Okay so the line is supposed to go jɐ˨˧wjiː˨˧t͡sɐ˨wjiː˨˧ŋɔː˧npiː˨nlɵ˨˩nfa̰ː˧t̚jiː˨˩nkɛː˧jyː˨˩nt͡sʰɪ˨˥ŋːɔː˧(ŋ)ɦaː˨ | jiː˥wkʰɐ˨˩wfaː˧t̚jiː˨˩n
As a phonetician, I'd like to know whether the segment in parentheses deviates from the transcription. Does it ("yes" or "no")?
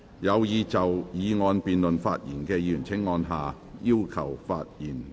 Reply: yes